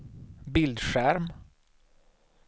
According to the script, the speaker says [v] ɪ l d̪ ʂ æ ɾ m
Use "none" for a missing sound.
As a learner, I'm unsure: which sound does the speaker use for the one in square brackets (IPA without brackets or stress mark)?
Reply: b